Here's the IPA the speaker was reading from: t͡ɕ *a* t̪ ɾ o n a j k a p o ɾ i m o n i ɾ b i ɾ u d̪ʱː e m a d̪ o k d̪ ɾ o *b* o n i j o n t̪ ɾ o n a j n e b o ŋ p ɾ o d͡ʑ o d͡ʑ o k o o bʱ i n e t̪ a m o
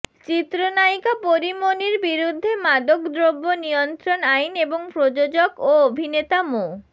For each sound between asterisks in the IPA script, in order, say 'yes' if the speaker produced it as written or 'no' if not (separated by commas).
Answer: no, no